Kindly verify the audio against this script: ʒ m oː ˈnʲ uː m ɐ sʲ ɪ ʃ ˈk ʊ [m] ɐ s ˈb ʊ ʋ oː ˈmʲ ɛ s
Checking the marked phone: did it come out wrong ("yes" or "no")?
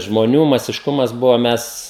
no